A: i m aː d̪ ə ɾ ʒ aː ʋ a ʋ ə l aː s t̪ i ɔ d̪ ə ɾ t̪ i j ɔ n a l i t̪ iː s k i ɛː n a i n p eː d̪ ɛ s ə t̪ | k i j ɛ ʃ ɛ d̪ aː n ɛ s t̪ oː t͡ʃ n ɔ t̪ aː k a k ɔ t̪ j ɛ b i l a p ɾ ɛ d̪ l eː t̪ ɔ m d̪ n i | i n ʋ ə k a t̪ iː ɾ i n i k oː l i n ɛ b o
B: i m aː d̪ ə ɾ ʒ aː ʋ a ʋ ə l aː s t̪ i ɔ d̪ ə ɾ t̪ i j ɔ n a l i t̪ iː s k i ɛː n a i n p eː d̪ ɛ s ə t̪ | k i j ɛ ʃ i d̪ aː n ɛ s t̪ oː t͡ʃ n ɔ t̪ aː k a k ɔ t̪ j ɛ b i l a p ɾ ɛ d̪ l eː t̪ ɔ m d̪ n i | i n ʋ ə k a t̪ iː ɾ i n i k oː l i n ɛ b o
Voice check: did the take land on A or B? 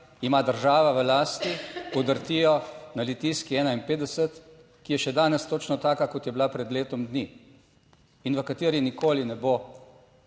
A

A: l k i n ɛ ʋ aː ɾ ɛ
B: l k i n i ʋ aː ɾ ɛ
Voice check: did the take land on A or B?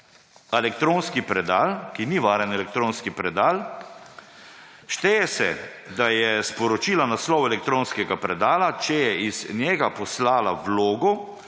B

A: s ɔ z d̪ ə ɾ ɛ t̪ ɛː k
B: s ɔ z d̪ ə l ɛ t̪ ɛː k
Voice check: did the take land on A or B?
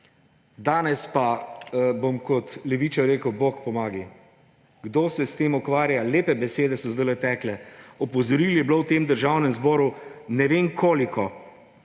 B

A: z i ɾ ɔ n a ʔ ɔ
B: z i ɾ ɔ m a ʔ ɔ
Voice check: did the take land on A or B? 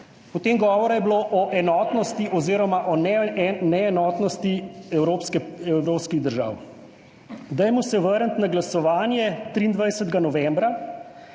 B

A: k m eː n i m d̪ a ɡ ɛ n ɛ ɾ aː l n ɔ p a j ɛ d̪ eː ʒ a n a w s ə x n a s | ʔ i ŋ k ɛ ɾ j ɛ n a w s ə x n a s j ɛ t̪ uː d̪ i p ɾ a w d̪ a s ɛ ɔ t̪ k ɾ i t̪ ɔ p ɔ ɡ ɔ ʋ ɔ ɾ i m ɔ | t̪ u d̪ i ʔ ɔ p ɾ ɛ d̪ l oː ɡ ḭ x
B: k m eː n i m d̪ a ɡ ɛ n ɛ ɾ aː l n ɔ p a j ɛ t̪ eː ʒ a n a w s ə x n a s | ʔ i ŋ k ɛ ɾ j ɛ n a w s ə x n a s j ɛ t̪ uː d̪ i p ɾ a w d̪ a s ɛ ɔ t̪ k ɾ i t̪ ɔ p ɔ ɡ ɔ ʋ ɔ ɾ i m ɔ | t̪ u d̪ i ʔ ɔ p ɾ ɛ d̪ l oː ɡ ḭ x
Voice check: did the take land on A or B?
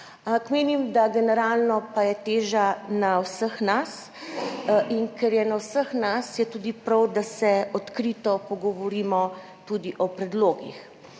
B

